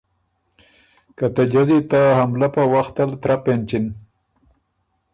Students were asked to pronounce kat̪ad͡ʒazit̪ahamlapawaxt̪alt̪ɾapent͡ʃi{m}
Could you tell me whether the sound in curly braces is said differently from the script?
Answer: yes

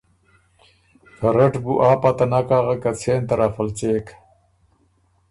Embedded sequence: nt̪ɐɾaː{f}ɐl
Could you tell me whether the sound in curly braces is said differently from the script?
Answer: no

